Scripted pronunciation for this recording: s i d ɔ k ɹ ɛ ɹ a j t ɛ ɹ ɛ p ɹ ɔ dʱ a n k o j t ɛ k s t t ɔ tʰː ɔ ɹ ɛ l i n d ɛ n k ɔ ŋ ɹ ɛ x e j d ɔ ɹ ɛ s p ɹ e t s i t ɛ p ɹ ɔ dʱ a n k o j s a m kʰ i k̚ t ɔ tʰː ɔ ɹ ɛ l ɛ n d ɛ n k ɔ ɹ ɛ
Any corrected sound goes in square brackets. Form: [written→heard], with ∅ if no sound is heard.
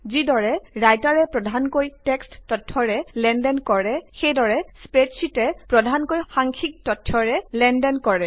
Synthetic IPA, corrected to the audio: [s→z] i d ɔ [k→∅] ɹ ɛ ɹ a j t [ɛ→a] ɹ ɛ p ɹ ɔ dʱ a n k o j t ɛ k s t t ɔ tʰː ɔ ɹ ɛ l [i→ɛ] n d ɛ n k ɔ [ŋ→∅] ɹ ɛ x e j d ɔ ɹ ɛ s p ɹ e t s i t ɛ p ɹ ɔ dʱ a n k o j [s→x] a [m→ŋ] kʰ i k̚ t ɔ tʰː ɔ ɹ ɛ l ɛ n d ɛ n k ɔ ɹ ɛ